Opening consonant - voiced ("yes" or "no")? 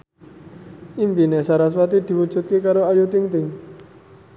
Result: yes